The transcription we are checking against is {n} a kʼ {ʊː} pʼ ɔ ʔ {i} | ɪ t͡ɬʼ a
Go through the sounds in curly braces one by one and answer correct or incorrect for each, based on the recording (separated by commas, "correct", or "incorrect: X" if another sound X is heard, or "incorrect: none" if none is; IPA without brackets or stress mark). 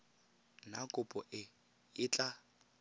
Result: correct, incorrect: ʊ, incorrect: ɪ